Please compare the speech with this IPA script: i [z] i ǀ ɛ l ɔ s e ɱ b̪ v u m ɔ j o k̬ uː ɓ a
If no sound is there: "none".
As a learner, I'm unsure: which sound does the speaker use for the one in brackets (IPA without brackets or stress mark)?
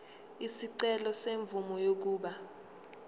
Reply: s